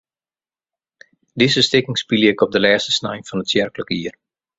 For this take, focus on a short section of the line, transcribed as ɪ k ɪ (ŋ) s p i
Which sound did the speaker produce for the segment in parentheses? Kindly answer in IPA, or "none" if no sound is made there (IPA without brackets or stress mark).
ŋ